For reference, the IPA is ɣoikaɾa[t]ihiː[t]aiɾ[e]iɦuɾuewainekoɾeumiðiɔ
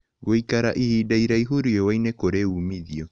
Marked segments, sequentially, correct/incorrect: incorrect: ʔ, incorrect: d, incorrect: a

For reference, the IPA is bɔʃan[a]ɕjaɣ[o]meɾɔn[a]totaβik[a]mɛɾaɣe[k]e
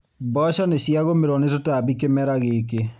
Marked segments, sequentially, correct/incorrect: incorrect: e, correct, incorrect: e, incorrect: e, correct

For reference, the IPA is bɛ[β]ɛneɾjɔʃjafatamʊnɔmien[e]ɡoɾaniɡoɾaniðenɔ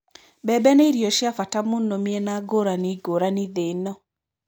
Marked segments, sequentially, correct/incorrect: incorrect: b, incorrect: a

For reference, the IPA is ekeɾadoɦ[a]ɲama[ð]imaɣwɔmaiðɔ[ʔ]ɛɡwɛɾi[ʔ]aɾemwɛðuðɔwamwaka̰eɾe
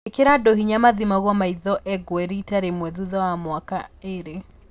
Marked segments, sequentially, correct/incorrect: incorrect: i, correct, correct, incorrect: t

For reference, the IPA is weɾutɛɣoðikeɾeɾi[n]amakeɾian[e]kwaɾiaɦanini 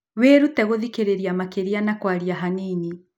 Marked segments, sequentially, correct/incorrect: incorrect: none, incorrect: a

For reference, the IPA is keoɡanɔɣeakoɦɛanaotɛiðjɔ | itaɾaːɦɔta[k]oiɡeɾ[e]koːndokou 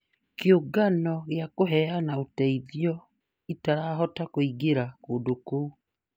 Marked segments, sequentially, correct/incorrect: correct, incorrect: a

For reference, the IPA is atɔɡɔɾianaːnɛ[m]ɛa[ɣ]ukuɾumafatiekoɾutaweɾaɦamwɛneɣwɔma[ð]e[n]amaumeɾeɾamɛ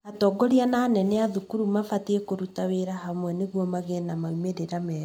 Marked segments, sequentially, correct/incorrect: incorrect: n, incorrect: ð, incorrect: ɣ, correct

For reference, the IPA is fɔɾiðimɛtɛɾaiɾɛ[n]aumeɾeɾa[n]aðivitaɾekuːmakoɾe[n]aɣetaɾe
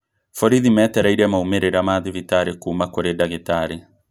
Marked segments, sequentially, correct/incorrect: incorrect: m, incorrect: m, incorrect: d

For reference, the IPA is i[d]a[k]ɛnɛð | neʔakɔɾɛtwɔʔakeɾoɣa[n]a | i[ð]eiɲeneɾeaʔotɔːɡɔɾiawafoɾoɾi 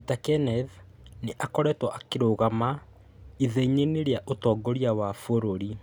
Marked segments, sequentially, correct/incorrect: incorrect: t, correct, incorrect: m, correct

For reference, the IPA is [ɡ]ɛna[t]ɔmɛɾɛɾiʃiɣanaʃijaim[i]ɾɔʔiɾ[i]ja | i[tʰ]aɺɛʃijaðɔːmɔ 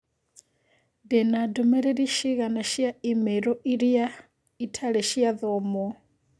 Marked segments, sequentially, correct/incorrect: incorrect: d, incorrect: d, incorrect: ɛ, correct, correct

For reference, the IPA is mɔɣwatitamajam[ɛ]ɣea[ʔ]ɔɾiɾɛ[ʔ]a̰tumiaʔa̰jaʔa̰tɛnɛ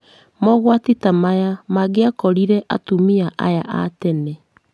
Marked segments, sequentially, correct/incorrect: incorrect: a, incorrect: k, correct

